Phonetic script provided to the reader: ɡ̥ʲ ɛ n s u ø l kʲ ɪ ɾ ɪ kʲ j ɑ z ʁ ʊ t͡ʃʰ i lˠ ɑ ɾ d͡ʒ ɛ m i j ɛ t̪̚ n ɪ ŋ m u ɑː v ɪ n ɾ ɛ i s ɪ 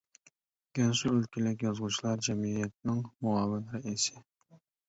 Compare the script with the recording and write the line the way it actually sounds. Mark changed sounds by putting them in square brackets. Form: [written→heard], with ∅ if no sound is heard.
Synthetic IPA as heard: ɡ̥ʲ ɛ n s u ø l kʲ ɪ [ɾ→l] ɪ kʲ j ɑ z ʁ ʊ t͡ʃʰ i lˠ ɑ ɾ d͡ʒ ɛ m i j ɛ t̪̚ n ɪ ŋ m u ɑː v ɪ n ɾ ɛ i s ɪ